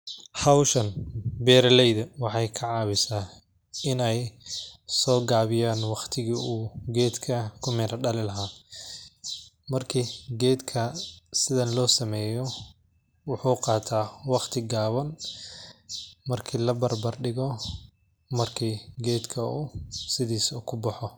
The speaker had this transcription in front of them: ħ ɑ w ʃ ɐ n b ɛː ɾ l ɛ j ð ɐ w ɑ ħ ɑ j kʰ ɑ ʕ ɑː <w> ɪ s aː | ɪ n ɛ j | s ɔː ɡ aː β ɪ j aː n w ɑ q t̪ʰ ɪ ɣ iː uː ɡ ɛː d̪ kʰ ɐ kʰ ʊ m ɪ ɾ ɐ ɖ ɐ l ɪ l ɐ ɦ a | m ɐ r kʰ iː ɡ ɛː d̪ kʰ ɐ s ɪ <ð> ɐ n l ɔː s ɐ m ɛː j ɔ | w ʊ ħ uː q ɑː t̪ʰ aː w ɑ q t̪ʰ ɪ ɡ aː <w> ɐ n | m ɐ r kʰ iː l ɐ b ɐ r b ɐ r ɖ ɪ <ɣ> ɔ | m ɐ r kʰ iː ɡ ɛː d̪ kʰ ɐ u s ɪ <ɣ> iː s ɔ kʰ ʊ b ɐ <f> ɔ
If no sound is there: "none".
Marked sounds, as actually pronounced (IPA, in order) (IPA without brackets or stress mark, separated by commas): β, ð, β, ɣ, ð, ħ